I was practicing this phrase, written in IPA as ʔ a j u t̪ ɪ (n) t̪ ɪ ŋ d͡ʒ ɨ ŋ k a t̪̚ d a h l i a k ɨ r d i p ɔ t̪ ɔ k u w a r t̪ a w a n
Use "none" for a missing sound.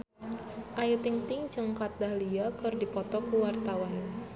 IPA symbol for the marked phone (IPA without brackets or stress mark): ŋ